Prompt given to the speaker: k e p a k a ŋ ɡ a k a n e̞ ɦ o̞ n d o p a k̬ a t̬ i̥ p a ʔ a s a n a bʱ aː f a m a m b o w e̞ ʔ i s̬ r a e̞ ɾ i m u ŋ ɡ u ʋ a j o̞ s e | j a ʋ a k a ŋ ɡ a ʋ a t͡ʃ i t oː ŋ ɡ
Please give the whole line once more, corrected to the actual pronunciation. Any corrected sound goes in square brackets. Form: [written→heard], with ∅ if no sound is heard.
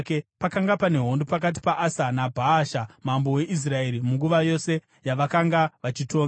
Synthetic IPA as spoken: k e p a k a ŋ ɡ a [k→p] a n e̞ ɦ o̞ n d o p a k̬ a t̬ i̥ p a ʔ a s a n a bʱ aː [f→ʃ] a m a m b o w e̞ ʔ i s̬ r a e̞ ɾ i m u ŋ ɡ u ʋ a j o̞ s e | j a ʋ a k a ŋ ɡ a ʋ a t͡ʃ i t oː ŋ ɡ